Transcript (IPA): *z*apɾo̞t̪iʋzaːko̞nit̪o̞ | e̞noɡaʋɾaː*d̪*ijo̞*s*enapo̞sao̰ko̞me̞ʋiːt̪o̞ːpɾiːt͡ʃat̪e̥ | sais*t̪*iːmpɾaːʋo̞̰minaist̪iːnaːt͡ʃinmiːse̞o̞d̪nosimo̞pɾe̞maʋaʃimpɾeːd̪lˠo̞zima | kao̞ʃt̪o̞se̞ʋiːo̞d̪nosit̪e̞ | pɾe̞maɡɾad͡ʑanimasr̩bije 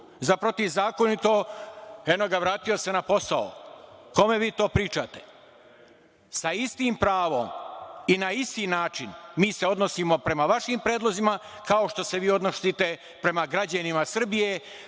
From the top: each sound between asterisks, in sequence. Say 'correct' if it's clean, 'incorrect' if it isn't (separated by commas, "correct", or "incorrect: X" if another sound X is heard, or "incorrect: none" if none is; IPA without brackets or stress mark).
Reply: correct, incorrect: t̪, correct, correct